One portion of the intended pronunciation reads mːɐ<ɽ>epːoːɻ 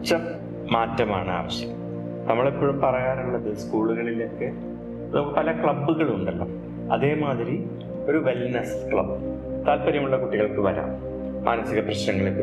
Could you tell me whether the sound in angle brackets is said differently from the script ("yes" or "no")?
yes